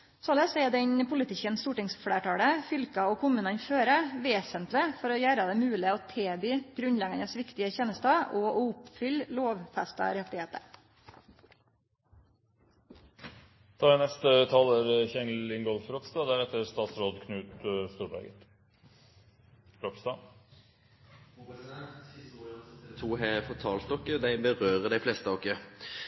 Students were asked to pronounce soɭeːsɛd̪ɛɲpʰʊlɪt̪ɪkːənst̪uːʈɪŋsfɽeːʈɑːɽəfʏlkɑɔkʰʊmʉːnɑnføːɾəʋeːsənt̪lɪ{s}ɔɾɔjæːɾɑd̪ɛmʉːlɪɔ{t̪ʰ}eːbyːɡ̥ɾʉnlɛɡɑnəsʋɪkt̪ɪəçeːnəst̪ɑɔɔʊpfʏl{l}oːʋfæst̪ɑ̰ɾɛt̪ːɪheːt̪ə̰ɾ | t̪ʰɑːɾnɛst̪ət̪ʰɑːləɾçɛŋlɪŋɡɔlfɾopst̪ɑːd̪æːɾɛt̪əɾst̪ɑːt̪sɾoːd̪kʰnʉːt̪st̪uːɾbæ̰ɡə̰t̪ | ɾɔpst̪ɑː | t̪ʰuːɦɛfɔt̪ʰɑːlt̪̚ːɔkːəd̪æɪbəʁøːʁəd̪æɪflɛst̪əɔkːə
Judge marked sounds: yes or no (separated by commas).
no, yes, yes